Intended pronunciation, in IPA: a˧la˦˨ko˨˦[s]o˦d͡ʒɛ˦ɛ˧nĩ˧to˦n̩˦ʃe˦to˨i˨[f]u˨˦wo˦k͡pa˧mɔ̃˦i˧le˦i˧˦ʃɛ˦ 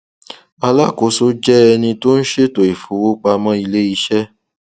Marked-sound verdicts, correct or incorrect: correct, correct

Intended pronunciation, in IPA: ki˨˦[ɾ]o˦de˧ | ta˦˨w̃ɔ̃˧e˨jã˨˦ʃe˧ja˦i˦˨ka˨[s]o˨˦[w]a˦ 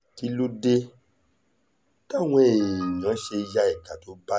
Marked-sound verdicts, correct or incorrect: incorrect, incorrect, incorrect

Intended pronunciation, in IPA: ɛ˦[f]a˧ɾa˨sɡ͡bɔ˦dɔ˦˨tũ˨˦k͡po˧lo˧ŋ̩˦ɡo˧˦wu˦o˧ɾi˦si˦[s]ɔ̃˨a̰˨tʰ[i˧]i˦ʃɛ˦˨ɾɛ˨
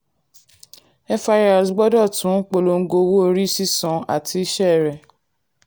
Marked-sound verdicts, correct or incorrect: correct, correct, correct

